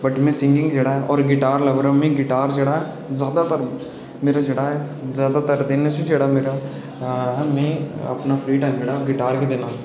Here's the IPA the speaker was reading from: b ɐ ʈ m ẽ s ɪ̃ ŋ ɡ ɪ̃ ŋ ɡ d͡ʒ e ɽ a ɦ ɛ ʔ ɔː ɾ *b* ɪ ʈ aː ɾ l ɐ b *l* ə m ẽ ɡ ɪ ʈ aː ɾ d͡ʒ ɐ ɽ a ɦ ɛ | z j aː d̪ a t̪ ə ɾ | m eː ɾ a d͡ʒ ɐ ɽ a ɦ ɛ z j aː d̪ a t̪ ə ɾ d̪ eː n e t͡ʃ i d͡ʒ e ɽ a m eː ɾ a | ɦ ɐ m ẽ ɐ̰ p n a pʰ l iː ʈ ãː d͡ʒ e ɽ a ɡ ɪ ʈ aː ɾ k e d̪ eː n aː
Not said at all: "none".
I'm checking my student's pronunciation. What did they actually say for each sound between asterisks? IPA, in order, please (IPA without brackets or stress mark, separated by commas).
ɡ, ɾ